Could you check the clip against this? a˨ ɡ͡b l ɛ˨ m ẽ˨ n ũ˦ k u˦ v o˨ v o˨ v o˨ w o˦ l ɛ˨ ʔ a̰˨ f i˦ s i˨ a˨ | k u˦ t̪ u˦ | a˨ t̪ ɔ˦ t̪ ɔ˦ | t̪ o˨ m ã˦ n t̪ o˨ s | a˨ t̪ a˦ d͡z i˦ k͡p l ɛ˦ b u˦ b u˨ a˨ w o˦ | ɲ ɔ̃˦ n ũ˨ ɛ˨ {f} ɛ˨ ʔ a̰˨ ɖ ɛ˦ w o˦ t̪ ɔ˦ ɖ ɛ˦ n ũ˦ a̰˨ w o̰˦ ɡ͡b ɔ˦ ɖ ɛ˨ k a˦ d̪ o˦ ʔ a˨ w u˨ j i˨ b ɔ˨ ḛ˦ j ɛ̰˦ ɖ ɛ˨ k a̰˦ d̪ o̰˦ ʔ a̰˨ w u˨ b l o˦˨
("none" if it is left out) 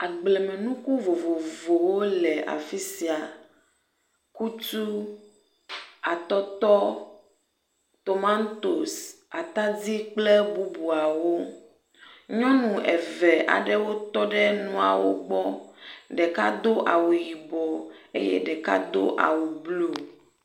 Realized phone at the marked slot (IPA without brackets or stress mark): v